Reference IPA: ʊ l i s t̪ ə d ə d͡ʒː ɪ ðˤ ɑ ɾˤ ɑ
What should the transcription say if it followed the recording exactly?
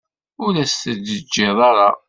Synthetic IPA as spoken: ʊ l æ s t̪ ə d ə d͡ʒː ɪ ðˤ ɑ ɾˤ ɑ